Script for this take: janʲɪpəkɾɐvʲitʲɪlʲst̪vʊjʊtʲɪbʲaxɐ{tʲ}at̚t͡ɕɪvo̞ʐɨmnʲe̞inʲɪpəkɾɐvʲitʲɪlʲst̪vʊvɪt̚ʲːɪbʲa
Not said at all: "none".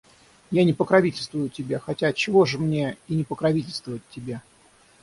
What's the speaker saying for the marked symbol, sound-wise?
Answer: tʲ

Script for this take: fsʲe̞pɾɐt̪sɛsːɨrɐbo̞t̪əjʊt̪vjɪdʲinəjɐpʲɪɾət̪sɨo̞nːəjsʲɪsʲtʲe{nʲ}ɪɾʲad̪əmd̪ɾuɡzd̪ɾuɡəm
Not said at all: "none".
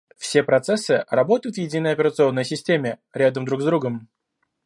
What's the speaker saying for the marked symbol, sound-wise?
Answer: mʲ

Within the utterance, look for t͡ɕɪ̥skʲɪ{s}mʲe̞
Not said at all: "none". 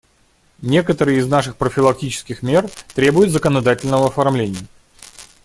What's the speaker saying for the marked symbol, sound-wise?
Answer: x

